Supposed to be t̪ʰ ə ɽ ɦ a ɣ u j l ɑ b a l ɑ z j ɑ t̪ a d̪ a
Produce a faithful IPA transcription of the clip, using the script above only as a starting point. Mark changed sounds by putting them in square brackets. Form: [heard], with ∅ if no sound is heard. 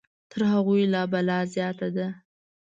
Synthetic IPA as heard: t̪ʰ ə [ɾ] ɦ a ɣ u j l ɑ b a l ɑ z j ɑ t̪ a d̪ a

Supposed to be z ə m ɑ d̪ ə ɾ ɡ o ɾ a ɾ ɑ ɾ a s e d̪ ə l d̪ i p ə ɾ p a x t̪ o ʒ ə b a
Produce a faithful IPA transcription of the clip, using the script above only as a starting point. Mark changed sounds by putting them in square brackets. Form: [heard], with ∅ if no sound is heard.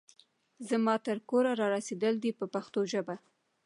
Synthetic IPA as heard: z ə m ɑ [t̪] ə ɾ [k] o ɾ a ɾ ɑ ɾ a s e d̪ ə l d̪ i p ə [∅] p a x t̪ o ʒ ə b a

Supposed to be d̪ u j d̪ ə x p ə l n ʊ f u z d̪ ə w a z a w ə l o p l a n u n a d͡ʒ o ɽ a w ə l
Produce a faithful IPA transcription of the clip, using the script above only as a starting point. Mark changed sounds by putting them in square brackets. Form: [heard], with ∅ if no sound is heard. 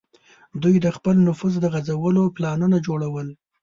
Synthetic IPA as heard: d̪ u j d̪ ə x p ə l n ʊ f u z d̪ ə [ɣ] a z a w ə l o p l [ɑ] n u n a d͡ʒ o ɽ a w ə l

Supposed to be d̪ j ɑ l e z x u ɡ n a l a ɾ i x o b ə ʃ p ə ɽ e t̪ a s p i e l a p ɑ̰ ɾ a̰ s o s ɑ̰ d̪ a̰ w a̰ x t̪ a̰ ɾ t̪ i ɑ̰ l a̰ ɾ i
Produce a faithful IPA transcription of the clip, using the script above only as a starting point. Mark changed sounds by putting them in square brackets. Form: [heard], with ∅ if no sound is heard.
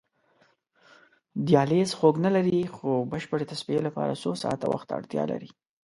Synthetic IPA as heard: d̪ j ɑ l e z x [o] ɡ n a l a ɾ i x o b ə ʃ p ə ɽ e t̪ a s p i e l a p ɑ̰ ɾ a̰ s o s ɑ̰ [t̪] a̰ w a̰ x t̪ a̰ [ɽ] t̪ [j] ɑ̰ l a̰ ɾ i

